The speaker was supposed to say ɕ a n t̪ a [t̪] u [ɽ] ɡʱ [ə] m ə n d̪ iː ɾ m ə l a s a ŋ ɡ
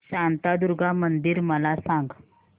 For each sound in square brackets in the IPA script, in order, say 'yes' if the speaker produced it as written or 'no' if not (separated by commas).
no, no, no